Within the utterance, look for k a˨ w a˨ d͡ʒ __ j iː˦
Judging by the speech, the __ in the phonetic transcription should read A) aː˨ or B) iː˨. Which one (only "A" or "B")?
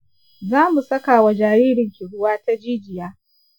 A